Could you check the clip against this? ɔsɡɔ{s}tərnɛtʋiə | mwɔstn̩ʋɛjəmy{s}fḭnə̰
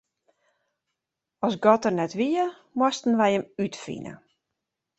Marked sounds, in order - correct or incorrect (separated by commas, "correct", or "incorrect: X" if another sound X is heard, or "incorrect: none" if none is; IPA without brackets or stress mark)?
incorrect: none, incorrect: t